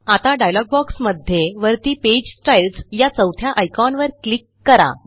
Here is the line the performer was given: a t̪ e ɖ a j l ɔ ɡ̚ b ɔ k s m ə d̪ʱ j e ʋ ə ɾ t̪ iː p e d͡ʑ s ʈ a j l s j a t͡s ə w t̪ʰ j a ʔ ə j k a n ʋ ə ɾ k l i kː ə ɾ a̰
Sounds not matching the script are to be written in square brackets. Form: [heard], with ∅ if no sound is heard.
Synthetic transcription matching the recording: a t̪ [a] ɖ a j l ɔ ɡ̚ b ɔ k s m ə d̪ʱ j e ʋ ə ɾ t̪ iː p e d͡ʑ s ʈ a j l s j a t͡s ə w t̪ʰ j a ʔ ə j k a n ʋ ə ɾ k l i kː ə ɾ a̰

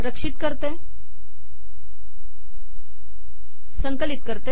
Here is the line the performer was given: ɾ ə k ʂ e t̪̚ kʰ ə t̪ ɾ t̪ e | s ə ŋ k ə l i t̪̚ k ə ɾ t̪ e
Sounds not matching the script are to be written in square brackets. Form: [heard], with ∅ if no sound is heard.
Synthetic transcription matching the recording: ɾ ə k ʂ [i] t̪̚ [k] ə [∅] ɾ t̪ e | s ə ŋ k ə l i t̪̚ k ə ɾ t̪ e

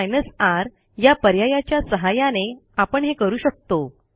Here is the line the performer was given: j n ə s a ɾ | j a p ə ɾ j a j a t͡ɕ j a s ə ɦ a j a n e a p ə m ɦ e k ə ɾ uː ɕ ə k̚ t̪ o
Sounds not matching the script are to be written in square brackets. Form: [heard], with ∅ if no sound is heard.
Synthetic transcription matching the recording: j n ə s a ɾ | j a p ə ɾ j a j a t͡ɕ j a s ə ɦ a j a n e a p ə [ɳ] ɦ e k ə ɾ uː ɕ ə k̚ t̪ o

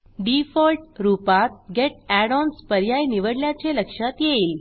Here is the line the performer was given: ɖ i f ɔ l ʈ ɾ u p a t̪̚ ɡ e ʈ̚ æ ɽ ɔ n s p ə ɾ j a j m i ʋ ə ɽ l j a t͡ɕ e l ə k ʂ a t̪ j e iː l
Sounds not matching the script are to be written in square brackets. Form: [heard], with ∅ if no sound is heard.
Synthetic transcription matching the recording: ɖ i f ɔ l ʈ ɾ u p a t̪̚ ɡ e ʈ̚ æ ɽ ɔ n s p ə ɾ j a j [n] i ʋ ə ɽ l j a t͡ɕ e l ə k ʂ a t̪ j e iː l

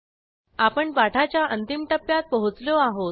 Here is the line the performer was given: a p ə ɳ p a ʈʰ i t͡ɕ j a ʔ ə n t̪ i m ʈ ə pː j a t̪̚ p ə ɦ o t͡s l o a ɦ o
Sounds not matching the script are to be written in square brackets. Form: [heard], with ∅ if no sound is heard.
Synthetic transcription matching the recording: a p ə ɳ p a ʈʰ [a] t͡ɕ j a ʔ ə n t̪ i m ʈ ə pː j a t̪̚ p ə ɦ [u] t͡s l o a ɦ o

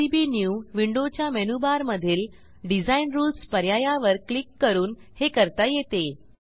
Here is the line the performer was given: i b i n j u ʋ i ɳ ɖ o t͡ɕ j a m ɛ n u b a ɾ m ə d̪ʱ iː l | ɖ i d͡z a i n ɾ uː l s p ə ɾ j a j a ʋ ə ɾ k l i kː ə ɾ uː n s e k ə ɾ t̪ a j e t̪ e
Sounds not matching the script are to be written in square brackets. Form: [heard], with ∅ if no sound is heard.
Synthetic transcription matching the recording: i b i n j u ʋ i ɳ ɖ o t͡ɕ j a m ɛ n u b a ɾ m ə d̪ʱ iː l | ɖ i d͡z a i n ɾ uː l s p ə ɾ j a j a ʋ ə ɾ k l i kː ə ɾ uː n [h] e k ə ɾ t̪ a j e t̪ e

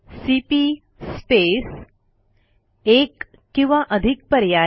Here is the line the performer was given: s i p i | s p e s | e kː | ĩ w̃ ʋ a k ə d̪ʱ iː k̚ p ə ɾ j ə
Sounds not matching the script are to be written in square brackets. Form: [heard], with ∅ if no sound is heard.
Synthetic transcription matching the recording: s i p i | s p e s | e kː | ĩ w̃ ʋ a [ʔ] ə d̪ʱ [i] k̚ p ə ɾ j [a]

